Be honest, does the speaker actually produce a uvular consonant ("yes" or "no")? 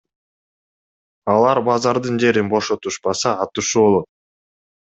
no